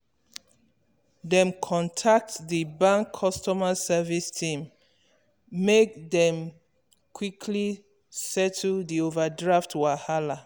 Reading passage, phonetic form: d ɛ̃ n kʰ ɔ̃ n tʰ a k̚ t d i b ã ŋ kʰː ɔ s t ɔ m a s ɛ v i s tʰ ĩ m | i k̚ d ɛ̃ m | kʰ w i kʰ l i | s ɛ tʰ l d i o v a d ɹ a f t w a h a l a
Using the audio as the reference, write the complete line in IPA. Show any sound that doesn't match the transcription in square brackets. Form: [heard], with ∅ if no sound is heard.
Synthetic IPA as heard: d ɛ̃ [m] kʰ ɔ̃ n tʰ a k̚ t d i b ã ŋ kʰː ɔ s t ɔ m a s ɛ v i s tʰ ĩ m | [e] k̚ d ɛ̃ m | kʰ w i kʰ l i | s ɛ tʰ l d i o v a d ɹ a f t w a h a l a